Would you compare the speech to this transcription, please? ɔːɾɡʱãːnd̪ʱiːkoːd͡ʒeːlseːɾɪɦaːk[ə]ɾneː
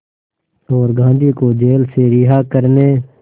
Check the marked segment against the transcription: correct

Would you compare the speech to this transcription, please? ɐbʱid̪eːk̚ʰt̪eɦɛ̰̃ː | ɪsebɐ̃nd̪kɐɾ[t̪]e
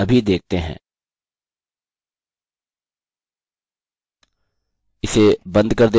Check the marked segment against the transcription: incorrect: d̪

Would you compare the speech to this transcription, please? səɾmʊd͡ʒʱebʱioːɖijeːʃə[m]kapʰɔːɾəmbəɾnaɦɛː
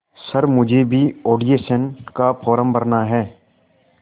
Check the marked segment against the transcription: incorrect: n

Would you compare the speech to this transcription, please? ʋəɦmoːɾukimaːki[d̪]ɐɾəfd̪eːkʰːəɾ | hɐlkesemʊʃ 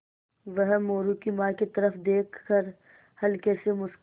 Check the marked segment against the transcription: incorrect: t̪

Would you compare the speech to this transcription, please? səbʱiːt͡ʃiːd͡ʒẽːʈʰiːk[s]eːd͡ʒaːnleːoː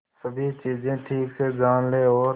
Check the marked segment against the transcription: correct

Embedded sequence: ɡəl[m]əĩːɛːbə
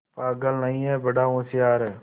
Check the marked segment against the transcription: incorrect: n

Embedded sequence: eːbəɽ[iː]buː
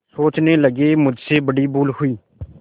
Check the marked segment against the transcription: correct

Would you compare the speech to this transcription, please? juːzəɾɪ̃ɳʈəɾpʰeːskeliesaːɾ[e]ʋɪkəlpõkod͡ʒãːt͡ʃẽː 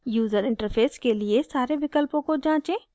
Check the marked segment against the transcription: correct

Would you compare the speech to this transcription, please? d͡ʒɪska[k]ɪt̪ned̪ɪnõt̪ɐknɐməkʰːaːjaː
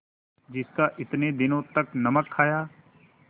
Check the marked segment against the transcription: incorrect: ʔ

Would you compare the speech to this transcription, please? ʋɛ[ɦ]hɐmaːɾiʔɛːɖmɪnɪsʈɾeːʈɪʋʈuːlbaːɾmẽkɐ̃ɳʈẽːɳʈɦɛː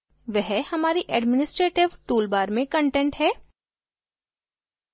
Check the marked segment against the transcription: correct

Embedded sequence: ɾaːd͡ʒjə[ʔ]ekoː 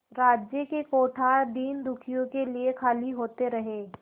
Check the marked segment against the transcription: incorrect: k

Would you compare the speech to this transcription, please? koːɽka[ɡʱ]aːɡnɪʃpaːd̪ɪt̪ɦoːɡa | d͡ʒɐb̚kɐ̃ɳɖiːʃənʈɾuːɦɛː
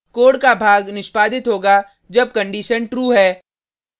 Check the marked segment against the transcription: incorrect: bʱ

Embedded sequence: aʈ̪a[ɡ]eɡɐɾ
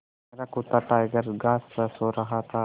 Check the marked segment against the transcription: incorrect: none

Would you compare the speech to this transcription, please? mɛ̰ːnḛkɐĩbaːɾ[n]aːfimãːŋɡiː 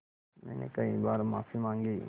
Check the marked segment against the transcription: incorrect: m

